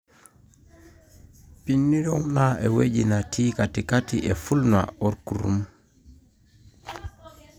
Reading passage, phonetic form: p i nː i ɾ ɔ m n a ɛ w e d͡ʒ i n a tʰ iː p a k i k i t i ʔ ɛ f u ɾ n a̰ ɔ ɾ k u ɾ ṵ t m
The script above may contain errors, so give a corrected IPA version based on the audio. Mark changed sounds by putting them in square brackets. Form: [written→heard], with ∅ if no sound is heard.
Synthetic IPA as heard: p i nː i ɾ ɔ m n a ɛ w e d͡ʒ i n a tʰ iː [p→k] a [k→t] i k [i→a] t i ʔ ɛ f u [ɾ→l] n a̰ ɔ ɾ k u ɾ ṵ [t→∅] m